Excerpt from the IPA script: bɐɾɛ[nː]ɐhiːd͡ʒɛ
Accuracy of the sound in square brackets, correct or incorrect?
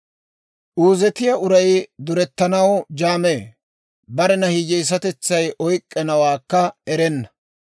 incorrect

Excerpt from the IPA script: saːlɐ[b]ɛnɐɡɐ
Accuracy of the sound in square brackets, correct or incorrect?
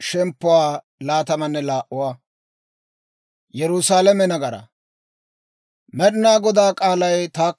incorrect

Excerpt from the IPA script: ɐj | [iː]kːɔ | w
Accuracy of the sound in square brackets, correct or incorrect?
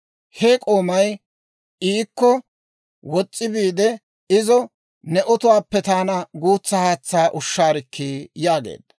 correct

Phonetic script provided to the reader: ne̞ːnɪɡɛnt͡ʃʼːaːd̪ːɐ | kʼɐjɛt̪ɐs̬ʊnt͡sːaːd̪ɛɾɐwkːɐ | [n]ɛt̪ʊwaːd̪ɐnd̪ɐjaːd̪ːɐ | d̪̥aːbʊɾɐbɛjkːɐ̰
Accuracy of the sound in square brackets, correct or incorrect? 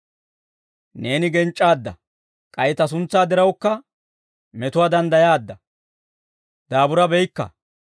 incorrect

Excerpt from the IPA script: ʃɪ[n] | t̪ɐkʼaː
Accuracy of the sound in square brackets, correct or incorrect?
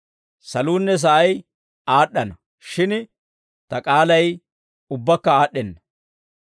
correct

